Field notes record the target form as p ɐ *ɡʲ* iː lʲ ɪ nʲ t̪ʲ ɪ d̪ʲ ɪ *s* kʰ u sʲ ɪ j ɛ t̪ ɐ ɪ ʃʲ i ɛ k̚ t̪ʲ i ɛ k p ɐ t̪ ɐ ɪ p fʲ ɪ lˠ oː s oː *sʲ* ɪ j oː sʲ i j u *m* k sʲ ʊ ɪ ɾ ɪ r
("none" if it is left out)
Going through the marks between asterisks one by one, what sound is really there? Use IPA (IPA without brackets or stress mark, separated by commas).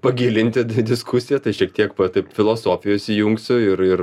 ɡʲ, s, fʲ, ŋ